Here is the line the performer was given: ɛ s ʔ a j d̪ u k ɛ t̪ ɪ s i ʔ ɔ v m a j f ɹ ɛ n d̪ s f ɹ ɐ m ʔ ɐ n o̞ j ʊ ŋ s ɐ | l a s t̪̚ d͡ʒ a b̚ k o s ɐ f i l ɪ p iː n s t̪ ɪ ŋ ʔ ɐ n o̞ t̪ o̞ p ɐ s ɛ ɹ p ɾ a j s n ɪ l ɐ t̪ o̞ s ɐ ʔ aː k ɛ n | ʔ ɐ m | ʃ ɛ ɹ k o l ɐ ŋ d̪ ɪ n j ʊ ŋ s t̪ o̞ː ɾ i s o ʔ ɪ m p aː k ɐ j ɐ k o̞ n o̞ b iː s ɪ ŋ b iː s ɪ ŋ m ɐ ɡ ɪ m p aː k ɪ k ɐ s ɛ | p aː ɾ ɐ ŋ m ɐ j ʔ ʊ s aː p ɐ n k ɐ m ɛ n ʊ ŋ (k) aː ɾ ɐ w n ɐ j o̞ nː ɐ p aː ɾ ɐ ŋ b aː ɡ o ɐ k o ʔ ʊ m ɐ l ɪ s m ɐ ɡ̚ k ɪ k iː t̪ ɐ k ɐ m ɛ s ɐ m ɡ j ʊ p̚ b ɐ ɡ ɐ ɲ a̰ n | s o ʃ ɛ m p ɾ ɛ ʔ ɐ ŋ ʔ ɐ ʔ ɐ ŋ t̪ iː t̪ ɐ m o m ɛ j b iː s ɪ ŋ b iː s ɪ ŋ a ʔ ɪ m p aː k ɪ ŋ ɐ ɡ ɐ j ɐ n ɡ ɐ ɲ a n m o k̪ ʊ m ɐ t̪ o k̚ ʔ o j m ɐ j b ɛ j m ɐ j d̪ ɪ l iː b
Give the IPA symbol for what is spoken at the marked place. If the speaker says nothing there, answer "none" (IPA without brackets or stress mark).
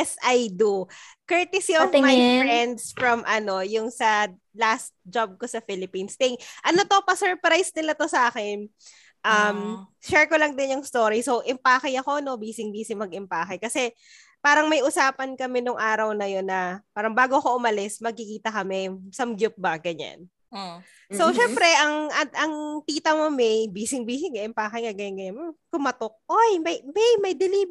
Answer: ʔ